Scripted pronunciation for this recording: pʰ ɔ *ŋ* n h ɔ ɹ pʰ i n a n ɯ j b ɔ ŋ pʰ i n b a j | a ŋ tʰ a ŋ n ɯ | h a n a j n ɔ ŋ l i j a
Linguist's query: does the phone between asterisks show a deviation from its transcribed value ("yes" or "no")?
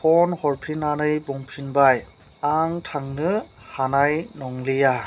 yes